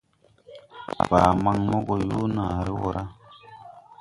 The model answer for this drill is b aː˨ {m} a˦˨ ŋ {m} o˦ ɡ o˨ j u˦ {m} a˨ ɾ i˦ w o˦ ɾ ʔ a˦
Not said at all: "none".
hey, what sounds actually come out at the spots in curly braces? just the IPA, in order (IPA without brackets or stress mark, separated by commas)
m, m, n